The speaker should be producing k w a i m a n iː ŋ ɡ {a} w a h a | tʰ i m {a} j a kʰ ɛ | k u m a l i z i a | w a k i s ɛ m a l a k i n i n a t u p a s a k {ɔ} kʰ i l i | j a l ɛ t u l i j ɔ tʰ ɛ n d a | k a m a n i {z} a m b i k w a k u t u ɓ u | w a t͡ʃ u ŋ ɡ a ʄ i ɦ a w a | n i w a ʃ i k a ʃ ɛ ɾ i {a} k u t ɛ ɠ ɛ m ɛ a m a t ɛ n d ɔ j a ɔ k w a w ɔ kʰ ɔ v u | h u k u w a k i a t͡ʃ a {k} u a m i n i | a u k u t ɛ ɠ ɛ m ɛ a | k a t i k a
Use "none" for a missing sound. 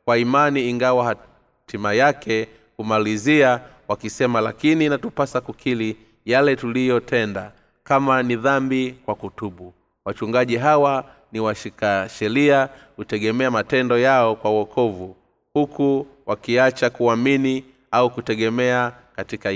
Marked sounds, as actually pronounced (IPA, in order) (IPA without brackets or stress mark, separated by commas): a, a, u, ð, a, k